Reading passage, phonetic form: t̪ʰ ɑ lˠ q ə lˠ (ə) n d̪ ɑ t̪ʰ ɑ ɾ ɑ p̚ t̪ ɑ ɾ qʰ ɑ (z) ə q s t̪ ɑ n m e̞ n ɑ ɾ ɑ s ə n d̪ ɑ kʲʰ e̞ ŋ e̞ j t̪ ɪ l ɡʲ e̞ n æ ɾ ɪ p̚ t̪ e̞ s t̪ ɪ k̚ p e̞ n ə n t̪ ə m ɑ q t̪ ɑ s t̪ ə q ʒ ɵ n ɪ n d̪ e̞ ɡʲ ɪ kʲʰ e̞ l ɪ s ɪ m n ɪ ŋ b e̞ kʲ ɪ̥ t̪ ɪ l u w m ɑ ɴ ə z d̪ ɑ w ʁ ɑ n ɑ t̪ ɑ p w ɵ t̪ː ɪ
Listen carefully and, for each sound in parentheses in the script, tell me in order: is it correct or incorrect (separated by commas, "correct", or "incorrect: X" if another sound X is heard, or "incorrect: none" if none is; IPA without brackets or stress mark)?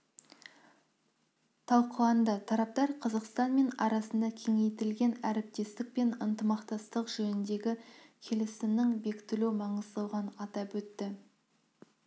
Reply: incorrect: ɑ, correct